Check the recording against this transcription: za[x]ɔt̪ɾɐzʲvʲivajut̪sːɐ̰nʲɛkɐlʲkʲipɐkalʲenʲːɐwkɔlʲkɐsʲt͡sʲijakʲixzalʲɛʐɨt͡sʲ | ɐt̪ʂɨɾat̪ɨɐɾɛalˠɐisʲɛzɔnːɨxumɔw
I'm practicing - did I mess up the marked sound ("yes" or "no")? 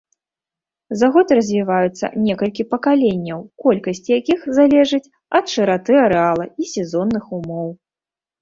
yes